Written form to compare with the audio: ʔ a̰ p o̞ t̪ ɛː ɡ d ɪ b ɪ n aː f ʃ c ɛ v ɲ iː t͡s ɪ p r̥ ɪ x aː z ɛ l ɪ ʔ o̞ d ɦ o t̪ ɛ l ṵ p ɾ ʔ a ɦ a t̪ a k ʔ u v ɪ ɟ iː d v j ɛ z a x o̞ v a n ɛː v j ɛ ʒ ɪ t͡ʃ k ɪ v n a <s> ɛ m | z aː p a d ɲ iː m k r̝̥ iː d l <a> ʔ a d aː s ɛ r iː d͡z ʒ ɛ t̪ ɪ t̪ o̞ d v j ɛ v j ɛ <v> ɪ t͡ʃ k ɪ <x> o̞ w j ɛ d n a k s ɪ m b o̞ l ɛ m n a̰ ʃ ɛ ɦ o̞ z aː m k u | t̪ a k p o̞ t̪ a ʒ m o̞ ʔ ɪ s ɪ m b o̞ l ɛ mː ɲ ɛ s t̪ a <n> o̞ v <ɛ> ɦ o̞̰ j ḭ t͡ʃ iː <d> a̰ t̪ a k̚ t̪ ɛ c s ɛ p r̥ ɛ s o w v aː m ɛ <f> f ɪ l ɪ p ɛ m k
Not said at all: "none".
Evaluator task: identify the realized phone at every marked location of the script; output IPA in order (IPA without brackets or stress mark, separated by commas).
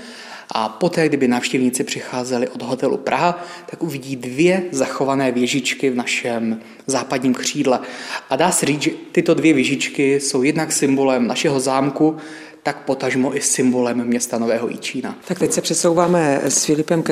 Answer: ʃ, ɛ, ʒ, s, n, ɛː, n, s